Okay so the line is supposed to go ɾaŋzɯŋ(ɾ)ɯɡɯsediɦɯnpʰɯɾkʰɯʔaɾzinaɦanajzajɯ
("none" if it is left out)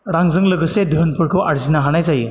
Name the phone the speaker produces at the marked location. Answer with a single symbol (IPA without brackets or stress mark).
l